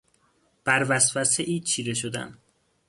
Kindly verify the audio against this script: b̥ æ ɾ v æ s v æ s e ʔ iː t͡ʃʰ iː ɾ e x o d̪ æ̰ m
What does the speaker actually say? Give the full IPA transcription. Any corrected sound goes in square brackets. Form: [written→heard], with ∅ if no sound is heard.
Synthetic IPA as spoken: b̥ æ ɾ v æ s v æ s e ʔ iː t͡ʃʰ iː ɾ e [x→ʃ] o d̪ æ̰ [m→n]

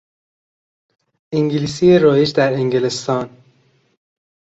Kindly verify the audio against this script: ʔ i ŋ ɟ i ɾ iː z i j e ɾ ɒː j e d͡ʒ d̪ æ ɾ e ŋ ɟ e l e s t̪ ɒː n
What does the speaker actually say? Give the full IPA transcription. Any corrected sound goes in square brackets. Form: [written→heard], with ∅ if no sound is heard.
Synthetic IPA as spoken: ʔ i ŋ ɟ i [ɾ→l] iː [z→s] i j e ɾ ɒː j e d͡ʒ d̪ æ ɾ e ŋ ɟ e l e s t̪ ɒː n

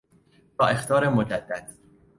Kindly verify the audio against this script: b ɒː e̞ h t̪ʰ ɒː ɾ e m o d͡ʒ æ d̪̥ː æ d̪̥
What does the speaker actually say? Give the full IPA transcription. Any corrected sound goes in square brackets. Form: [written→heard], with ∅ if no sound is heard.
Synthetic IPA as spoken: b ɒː e̞ [h→x] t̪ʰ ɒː ɾ e m o d͡ʒ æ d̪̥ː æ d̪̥

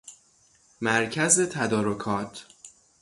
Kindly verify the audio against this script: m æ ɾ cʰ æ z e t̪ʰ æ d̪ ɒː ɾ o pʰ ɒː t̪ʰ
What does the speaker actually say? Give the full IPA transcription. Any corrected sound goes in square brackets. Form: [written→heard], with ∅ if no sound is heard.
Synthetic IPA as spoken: m æ ɾ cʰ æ z e t̪ʰ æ d̪ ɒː ɾ o [pʰ→kʰ] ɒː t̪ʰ

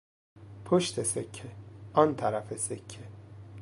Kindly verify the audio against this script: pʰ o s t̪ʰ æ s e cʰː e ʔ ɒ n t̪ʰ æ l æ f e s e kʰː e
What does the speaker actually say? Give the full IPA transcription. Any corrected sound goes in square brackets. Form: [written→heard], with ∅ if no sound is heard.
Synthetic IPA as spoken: pʰ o [s→ʃ] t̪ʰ [æ→e] s e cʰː e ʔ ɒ n t̪ʰ æ [l→ɾ] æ f e s e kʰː e

